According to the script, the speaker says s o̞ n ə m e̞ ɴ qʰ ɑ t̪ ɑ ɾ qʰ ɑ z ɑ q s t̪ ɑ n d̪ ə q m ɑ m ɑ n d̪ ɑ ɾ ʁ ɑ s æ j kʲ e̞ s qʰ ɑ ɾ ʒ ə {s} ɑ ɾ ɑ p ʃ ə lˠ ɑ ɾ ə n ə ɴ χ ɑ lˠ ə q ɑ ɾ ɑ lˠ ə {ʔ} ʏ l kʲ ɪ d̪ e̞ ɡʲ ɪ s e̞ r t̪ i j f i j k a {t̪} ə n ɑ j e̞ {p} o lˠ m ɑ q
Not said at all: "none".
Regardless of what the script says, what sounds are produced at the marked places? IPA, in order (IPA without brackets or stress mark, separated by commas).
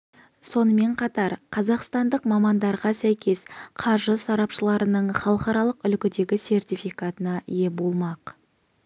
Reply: s, q, t̪, b